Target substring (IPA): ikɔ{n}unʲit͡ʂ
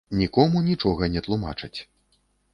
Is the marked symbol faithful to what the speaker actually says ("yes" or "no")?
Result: no